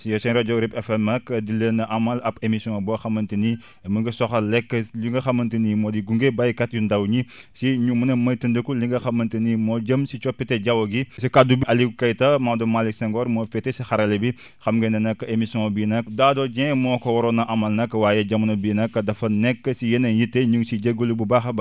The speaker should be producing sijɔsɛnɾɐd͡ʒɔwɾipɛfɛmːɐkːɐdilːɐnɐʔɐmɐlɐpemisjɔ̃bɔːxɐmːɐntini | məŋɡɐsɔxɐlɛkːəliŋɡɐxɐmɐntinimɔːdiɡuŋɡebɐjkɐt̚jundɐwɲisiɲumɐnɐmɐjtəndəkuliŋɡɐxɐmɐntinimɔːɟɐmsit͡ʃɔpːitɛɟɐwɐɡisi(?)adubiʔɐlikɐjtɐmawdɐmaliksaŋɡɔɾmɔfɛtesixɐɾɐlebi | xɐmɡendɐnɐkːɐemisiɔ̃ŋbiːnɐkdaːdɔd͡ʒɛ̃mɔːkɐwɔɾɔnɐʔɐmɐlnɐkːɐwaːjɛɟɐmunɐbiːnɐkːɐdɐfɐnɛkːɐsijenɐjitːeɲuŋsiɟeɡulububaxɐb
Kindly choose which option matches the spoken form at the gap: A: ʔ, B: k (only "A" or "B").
B